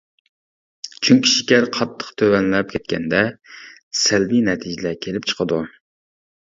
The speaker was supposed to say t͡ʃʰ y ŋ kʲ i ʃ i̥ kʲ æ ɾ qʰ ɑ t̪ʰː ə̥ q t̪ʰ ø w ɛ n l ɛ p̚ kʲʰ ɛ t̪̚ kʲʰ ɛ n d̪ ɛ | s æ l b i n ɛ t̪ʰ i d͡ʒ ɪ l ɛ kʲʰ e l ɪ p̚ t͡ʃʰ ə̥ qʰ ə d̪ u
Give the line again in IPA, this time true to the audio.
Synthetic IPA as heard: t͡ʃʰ y ŋ kʲ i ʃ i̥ kʲ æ ɾ qʰ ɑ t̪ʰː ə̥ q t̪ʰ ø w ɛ n l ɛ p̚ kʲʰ ɛ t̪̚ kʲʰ ɛ n d̪ ɛ | s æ l b i n ɛ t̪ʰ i d͡ʒ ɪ l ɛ kʲʰ e l ɪ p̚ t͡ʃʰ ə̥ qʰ ə d̪ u